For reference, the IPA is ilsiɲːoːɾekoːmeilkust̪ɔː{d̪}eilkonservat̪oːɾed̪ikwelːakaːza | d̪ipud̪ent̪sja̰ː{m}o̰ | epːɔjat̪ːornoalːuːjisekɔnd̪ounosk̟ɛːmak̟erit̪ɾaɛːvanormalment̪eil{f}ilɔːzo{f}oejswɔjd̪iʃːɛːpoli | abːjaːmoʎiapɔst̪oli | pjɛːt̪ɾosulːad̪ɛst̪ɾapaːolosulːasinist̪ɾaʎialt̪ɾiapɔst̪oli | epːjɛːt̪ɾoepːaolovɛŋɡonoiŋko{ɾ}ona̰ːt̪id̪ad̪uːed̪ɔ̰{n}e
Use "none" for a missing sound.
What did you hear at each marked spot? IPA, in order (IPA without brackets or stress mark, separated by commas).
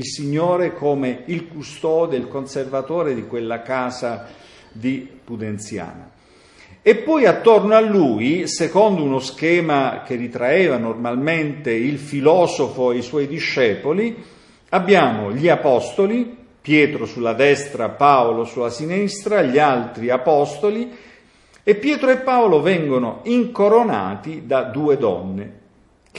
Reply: d̪, n, f, f, ɾ, nː